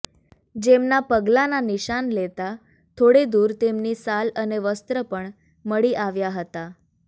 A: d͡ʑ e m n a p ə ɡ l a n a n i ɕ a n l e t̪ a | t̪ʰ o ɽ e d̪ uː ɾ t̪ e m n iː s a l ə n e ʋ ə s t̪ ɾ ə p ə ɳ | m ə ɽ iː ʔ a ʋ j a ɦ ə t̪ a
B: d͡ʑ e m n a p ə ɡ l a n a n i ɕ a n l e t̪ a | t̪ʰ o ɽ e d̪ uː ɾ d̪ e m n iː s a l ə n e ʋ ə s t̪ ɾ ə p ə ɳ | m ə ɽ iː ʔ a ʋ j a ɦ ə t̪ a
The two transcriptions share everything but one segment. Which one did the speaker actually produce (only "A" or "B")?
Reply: A